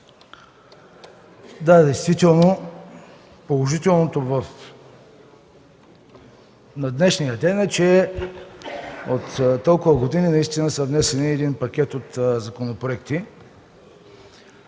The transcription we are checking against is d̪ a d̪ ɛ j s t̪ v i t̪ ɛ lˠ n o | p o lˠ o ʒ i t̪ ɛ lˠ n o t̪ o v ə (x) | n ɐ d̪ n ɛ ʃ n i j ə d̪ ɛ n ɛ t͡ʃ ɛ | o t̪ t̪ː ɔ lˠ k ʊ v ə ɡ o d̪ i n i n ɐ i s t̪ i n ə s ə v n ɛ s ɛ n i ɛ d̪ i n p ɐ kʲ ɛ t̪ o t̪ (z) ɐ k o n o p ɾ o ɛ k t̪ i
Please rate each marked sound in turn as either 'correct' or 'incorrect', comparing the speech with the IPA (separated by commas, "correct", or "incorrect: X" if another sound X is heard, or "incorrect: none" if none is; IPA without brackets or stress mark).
incorrect: f, correct